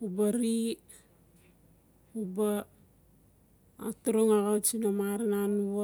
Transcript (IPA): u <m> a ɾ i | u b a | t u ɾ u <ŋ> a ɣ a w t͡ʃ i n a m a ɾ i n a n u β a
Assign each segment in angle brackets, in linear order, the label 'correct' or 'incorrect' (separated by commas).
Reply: incorrect, correct